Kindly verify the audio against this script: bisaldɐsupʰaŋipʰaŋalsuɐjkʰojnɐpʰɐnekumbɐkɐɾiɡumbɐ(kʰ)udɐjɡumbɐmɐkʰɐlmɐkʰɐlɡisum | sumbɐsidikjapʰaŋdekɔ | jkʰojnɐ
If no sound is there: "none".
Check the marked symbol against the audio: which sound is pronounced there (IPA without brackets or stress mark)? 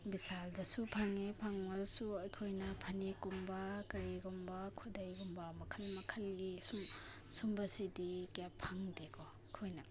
kʰ